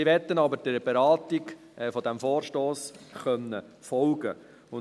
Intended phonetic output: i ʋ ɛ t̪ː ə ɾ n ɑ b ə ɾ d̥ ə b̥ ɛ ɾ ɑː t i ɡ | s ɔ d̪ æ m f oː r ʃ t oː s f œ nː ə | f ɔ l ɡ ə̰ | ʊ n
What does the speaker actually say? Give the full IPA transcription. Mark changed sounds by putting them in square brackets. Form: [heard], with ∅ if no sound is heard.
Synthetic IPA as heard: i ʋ ɛ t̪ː ə [∅] n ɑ b ə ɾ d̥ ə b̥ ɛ ɾ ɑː t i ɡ | [f] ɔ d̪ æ m f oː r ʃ t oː s [χ] œ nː ə | f ɔ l ɡ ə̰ | ʊ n